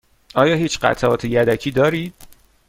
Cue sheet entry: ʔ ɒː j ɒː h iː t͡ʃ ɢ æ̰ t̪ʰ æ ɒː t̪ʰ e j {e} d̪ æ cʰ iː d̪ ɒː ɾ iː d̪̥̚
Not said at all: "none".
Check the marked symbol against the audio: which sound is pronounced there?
æ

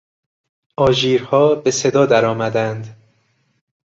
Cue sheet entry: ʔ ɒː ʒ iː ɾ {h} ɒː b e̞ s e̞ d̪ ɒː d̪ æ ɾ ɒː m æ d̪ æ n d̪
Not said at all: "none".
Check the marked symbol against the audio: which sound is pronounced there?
h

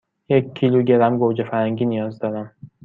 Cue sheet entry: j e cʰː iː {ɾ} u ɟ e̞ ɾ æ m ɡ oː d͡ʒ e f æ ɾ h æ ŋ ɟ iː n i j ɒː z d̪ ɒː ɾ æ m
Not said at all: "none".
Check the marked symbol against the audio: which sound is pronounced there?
l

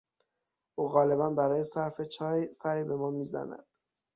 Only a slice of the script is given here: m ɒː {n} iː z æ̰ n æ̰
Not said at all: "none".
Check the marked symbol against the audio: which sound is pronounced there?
m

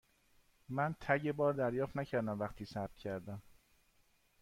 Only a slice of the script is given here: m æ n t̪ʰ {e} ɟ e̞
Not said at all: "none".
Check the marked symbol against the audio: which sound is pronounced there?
æ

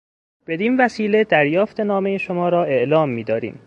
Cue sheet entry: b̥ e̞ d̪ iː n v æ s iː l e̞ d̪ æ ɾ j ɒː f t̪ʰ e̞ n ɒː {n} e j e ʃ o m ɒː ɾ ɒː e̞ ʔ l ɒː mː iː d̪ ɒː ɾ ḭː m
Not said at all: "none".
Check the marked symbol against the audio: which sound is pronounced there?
m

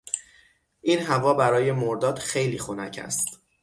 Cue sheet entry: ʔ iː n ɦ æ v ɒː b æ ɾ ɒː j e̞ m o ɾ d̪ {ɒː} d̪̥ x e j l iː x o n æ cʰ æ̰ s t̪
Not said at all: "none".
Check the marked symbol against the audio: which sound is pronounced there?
ɒː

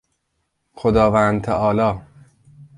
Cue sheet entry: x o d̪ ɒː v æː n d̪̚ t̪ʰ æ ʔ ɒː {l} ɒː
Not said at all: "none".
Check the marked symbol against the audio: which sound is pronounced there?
l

